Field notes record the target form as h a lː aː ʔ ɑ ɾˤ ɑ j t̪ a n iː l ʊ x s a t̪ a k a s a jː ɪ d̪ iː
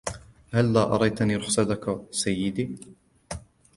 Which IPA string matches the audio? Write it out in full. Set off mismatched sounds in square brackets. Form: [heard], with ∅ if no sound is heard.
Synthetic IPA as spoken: h a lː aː ʔ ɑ ɾˤ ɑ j t̪ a n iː [ɾ] ʊ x s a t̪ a k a s a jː ɪ d̪ iː